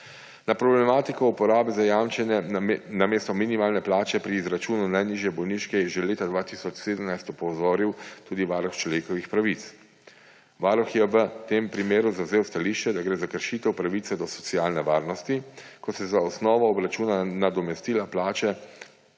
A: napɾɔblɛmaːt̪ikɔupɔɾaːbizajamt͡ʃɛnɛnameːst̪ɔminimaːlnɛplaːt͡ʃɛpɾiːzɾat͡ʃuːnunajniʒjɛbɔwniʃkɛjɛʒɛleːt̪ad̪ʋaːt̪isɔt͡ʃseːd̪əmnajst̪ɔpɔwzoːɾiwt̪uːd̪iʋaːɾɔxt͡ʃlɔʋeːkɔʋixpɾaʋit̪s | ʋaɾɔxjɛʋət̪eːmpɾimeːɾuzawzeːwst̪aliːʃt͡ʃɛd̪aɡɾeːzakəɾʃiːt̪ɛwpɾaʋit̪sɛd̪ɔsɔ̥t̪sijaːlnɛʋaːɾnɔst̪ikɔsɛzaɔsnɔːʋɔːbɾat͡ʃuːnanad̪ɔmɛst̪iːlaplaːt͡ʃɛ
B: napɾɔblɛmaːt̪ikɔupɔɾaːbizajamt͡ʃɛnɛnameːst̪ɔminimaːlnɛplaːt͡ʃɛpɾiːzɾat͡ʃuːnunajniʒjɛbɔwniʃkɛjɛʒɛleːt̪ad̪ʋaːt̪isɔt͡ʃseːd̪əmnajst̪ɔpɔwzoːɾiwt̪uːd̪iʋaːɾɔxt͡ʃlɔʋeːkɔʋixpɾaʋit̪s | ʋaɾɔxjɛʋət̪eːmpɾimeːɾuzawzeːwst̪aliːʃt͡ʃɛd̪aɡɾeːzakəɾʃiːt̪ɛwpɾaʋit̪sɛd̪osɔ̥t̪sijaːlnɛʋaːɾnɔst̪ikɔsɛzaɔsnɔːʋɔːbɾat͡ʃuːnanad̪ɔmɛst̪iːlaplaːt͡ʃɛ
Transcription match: A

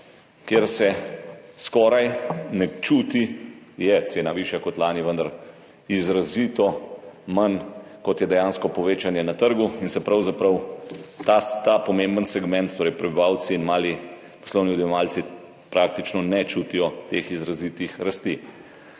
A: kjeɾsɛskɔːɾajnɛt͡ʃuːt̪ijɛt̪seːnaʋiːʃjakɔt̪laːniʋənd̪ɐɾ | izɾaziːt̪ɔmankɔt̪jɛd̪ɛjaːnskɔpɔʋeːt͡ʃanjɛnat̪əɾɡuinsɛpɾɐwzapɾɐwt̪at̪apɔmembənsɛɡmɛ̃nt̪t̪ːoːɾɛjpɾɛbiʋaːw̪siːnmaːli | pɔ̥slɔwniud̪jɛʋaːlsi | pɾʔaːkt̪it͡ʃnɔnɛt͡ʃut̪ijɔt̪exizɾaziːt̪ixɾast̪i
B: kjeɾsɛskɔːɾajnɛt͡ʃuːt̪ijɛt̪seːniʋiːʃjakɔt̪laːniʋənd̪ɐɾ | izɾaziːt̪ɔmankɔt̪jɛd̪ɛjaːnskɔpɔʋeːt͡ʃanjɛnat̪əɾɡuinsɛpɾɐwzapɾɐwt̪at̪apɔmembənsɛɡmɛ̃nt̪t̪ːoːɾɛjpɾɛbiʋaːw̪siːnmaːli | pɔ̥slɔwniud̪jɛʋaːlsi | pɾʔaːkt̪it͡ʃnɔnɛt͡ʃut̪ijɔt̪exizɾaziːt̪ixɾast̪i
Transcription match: A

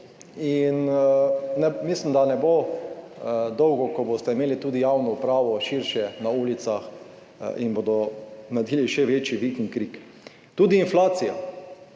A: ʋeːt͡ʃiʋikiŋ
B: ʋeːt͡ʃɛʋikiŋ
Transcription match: A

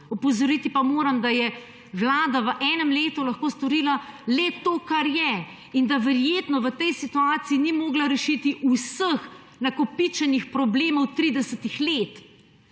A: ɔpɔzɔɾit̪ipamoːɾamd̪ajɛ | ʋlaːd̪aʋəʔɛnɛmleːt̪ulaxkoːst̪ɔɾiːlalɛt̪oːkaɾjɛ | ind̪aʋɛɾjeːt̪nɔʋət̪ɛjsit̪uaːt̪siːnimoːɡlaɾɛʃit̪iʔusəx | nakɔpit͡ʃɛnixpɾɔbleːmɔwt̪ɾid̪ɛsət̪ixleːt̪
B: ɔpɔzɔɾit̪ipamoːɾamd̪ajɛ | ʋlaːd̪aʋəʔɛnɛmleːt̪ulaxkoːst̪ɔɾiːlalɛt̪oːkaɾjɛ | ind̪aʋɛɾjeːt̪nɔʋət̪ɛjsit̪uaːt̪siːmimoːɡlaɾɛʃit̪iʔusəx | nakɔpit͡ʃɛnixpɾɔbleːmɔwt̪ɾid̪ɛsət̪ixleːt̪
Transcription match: A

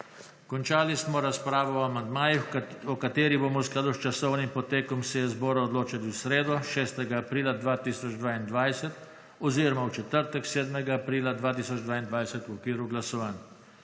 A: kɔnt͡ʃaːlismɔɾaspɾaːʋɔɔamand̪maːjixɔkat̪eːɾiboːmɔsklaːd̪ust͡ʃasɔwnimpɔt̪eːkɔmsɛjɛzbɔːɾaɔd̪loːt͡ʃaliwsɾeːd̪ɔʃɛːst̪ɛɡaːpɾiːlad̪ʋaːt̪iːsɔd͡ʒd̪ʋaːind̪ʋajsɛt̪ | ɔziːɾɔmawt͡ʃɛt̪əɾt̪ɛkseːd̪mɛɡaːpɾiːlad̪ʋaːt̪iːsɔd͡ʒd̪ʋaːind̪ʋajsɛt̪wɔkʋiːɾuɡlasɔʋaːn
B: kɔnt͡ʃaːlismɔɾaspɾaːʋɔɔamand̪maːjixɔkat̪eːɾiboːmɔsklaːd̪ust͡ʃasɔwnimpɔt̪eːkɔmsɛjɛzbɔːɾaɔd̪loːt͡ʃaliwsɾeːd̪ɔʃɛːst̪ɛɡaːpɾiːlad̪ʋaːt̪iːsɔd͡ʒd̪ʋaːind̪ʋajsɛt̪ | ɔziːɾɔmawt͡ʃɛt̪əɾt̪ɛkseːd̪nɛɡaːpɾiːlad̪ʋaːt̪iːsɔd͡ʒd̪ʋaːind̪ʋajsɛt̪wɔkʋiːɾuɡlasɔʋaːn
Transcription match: A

